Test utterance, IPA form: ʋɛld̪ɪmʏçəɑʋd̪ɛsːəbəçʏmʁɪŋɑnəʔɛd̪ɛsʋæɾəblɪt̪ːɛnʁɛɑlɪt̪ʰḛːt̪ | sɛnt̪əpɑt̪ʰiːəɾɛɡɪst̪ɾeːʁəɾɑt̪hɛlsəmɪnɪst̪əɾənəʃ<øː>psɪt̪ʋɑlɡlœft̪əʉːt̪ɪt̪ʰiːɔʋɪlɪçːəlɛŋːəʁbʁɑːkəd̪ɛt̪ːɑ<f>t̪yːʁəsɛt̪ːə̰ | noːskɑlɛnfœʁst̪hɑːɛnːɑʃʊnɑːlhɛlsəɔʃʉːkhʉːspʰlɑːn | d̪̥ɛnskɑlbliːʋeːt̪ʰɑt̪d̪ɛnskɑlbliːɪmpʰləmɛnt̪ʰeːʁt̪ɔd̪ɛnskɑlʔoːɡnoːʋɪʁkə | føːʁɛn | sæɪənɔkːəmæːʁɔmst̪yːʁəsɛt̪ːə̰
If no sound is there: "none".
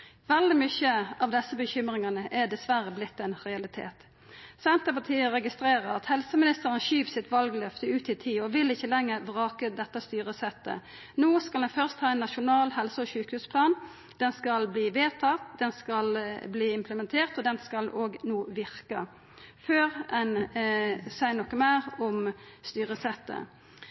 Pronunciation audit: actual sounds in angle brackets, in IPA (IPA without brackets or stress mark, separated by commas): yː, s